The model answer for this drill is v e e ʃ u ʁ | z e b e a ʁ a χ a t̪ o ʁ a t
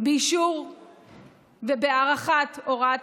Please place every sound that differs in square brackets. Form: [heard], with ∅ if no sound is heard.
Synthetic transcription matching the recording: [b] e [i] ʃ u ʁ | [v] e b e a ʁ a χ a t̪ o ʁ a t